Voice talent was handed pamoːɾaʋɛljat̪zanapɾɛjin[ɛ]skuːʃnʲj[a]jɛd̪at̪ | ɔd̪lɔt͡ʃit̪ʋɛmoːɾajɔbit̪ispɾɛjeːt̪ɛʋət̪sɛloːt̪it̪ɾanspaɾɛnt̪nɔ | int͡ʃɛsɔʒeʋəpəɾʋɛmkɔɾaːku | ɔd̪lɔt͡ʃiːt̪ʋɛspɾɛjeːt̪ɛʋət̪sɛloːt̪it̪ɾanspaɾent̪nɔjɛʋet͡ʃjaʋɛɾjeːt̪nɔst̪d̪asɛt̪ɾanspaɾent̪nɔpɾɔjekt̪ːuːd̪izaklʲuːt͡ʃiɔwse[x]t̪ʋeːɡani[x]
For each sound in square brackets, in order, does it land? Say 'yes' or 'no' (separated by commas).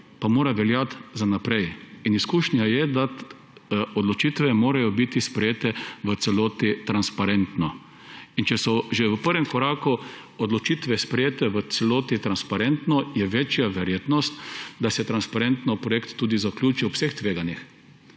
no, yes, yes, yes